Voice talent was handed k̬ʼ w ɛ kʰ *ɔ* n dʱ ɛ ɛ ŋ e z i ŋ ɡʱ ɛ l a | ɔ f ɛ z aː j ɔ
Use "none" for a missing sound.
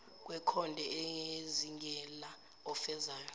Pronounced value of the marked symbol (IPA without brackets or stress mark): ɔ